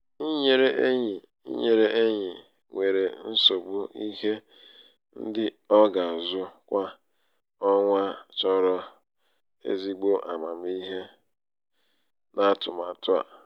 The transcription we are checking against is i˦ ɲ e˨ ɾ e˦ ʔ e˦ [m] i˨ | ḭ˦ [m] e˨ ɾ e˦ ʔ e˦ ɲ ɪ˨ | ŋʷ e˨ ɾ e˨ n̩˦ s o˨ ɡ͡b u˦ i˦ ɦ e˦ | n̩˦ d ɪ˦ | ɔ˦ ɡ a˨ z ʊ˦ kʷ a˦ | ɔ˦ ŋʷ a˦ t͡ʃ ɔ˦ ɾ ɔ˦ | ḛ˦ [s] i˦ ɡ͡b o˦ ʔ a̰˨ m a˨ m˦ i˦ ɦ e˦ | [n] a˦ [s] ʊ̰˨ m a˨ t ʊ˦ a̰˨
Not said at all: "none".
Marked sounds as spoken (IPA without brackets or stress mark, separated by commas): ɲ, ɲ, z, n, t